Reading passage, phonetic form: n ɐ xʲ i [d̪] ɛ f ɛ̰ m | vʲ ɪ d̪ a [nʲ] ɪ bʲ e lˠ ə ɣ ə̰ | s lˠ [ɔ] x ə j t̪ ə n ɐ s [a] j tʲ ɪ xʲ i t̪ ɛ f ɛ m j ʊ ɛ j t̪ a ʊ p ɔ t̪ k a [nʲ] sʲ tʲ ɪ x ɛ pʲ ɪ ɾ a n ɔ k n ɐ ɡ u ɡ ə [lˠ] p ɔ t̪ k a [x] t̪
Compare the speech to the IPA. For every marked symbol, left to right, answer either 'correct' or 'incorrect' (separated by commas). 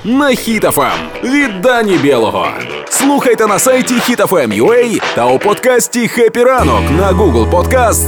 incorrect, correct, incorrect, correct, incorrect, correct, incorrect